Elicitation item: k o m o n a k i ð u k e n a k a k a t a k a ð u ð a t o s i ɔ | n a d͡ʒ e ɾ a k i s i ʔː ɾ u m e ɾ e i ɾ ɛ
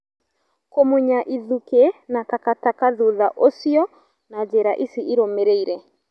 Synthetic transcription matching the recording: k o m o ɲ a ʔ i ð u k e n a k a k a t a k a ð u ð a ʔ o s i ɔ | n a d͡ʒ e ɾ a ʔ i s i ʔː ɾ o m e ɾ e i ɾ ɛ